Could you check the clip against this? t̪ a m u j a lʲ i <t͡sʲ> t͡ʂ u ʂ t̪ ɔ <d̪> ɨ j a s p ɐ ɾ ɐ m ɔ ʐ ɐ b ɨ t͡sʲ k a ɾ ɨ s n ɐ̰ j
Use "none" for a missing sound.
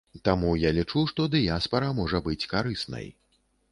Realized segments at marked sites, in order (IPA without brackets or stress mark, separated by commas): none, d̪